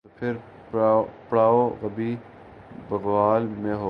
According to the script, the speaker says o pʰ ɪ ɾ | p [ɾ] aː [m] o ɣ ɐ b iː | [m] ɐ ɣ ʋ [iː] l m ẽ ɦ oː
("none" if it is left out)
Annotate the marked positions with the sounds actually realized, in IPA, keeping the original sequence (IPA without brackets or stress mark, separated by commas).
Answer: ɽ, none, b, aː